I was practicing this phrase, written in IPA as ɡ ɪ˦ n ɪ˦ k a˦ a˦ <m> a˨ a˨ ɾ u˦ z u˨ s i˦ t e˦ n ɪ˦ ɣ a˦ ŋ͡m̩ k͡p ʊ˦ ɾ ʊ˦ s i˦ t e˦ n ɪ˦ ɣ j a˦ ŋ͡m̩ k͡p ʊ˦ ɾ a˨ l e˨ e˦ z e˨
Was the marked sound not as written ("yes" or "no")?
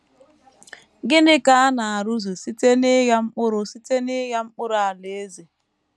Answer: yes